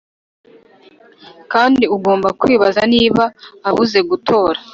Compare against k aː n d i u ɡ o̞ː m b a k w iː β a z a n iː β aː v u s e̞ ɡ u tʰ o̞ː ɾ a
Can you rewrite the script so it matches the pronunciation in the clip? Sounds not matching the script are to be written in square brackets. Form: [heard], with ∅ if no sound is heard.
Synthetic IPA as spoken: k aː n d i u ɡ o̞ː m b a k w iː β a z a n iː β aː [β] u [z] e̞ ɡ u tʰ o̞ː ɾ a